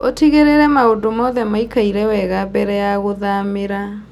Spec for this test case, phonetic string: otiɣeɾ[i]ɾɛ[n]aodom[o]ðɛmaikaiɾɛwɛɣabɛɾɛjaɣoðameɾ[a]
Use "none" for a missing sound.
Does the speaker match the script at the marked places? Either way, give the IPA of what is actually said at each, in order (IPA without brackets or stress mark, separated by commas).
e, m, ɔ, a